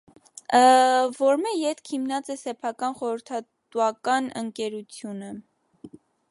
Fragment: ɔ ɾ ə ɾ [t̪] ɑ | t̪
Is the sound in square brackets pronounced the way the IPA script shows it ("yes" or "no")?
no